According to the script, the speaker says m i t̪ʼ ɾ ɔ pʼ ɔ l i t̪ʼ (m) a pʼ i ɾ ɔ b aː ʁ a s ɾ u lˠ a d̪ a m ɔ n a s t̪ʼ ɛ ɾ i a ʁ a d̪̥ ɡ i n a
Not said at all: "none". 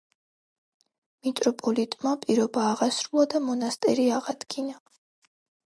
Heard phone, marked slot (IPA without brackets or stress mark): m